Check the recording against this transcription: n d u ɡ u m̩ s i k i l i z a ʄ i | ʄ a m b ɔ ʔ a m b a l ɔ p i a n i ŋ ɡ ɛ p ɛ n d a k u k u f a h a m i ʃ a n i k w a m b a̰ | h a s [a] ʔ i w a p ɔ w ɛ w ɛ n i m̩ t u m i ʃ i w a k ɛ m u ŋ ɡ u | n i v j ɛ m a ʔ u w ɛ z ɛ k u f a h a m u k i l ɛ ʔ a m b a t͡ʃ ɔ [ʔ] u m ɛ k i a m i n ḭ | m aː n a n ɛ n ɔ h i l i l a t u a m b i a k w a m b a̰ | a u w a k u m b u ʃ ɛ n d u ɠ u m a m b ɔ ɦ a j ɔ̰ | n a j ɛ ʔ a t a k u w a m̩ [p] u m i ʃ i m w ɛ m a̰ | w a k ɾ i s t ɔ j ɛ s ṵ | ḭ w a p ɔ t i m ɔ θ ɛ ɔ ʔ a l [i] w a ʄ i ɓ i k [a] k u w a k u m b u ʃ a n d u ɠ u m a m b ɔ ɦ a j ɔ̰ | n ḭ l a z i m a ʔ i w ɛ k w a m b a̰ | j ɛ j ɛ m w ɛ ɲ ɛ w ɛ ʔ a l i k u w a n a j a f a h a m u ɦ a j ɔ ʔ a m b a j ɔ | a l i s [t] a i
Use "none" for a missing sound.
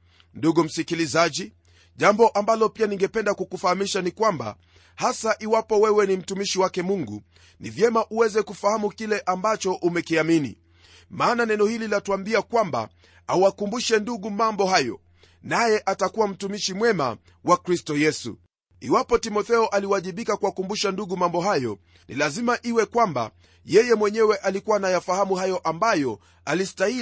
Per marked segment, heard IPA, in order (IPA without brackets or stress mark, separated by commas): a, ʔ, t, i, a, t